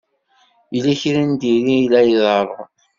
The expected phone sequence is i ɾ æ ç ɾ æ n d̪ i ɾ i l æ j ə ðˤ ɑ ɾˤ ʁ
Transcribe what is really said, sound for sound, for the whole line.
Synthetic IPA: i l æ ç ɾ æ n d̪ i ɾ i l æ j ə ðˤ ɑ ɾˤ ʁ